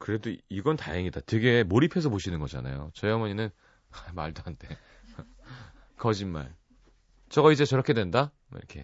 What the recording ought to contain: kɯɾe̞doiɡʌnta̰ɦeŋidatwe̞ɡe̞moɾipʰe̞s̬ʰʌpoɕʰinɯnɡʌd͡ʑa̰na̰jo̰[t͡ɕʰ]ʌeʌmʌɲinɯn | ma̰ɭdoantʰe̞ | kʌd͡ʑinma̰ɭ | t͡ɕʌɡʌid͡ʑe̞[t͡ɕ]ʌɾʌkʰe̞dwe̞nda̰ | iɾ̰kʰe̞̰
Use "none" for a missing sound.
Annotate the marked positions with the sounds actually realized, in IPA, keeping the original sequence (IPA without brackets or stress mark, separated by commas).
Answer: t͡ɕ, t͡ɕ